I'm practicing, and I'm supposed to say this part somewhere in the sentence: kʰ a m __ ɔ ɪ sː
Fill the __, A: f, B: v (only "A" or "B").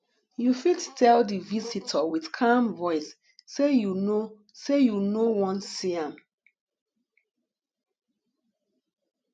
B